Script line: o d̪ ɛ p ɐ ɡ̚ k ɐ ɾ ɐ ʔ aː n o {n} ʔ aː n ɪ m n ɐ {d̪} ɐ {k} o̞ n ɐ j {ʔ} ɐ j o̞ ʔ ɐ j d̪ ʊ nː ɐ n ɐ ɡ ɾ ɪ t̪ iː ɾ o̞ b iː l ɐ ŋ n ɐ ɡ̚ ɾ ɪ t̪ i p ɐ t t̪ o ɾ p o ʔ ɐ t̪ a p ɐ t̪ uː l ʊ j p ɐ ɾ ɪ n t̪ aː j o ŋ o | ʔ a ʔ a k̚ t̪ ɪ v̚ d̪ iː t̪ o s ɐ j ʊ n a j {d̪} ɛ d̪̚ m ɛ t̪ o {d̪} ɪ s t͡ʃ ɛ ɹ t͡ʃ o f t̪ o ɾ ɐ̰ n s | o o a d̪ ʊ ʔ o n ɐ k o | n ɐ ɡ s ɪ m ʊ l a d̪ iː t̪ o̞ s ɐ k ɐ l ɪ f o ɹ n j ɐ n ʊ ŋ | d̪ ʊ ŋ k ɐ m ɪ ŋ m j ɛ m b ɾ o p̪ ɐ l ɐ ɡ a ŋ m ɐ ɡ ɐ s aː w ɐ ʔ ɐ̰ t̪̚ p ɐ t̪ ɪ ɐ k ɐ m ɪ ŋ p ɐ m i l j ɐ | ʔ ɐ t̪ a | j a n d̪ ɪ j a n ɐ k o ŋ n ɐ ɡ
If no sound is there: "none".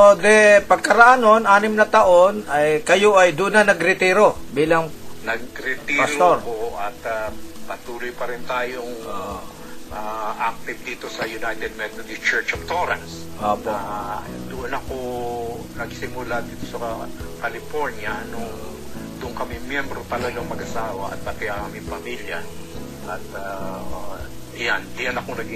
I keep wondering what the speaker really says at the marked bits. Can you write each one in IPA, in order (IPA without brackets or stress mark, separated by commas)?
n, t̪, ʔ, k, t̪, d̪